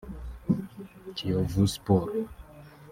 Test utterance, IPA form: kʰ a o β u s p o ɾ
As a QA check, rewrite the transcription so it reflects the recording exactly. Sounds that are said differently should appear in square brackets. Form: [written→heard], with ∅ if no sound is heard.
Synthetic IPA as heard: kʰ [a→i] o [β→v] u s p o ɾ